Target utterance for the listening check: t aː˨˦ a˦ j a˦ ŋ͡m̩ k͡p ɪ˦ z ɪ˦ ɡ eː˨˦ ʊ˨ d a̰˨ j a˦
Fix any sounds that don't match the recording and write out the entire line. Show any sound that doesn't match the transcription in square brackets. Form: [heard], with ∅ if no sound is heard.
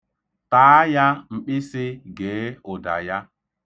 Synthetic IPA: t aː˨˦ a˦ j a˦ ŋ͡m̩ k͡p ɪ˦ [s] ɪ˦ ɡ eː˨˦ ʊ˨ d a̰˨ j a˦